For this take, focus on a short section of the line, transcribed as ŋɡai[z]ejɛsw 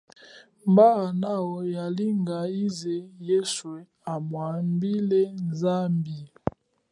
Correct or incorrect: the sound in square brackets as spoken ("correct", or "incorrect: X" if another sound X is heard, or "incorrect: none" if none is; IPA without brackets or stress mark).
correct